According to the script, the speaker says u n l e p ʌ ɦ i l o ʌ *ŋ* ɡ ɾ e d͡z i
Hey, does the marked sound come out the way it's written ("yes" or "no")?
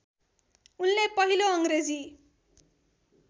yes